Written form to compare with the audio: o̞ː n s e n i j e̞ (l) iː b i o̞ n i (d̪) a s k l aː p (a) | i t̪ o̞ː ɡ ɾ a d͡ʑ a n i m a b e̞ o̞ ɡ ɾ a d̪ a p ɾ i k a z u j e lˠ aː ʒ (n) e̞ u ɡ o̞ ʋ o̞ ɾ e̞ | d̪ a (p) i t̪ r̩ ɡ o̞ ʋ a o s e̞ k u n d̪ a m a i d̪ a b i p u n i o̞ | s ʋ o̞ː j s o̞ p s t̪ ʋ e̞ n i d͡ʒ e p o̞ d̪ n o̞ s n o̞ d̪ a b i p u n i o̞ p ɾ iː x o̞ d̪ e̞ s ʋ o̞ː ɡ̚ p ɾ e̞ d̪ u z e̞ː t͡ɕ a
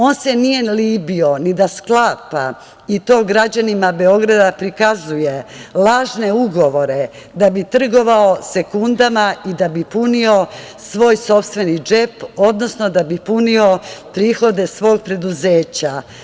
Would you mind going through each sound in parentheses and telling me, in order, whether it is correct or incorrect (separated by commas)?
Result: correct, correct, correct, correct, incorrect